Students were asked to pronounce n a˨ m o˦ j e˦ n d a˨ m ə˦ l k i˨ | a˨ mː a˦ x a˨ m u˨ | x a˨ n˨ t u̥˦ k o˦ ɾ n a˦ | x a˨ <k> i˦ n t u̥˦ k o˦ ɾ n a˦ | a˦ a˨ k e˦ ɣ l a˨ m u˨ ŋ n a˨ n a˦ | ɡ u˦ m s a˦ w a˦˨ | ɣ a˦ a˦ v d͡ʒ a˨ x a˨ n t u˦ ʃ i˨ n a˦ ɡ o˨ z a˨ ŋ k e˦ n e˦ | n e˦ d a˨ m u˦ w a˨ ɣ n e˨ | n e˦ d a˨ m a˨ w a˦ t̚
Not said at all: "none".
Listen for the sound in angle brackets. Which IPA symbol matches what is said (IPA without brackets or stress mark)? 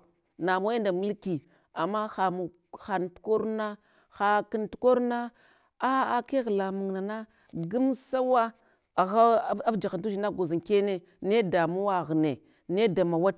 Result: k